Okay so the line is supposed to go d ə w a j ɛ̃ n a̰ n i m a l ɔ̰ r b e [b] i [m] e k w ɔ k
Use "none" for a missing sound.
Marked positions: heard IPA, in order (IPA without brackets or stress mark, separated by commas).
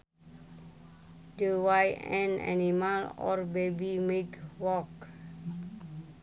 b, m